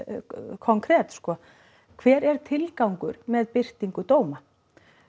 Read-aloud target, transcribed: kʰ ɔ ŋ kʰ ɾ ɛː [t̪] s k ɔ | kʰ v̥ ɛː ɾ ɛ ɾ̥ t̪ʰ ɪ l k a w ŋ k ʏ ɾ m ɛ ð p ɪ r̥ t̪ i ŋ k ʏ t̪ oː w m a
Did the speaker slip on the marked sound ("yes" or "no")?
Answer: no